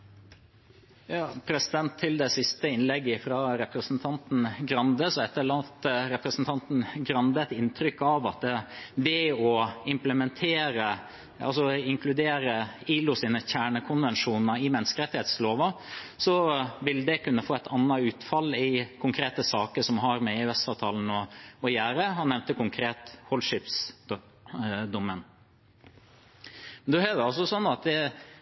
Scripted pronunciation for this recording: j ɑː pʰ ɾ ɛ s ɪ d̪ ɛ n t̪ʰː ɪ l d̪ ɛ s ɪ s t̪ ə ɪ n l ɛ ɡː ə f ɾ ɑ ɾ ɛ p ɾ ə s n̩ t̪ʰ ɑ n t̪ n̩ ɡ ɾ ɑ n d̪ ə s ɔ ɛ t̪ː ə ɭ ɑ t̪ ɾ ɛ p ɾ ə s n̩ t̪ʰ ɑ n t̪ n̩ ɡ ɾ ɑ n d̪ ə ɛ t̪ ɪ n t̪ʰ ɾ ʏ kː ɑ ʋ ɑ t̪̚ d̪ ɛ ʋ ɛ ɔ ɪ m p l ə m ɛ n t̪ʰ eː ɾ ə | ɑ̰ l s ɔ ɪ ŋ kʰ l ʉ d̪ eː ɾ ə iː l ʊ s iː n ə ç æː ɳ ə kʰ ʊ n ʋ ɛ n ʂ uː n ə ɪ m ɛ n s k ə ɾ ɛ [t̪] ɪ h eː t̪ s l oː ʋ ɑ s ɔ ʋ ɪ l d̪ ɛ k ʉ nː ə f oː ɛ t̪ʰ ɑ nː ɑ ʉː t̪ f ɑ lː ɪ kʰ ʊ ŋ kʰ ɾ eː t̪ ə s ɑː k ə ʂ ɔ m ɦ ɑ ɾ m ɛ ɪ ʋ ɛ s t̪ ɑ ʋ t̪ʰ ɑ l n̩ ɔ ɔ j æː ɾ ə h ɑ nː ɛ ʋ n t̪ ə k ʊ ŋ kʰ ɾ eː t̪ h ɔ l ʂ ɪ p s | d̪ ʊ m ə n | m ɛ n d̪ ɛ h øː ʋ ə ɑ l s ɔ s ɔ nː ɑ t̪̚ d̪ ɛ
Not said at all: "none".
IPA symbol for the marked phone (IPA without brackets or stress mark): t̪